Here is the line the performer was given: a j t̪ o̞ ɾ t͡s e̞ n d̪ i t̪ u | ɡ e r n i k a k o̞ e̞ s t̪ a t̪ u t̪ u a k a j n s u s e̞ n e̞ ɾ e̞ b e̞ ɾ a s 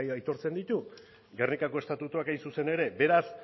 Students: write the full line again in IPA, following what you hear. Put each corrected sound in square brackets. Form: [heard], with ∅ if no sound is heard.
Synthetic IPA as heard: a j t̪ o̞ ɾ t͡s e̞ n d̪ i t̪ u | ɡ e r n i k a k o̞ e̞ s t̪ a t̪ u t̪ u a k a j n s u s e̞ n e̞ ɾ e̞ b e̞ ɾ a s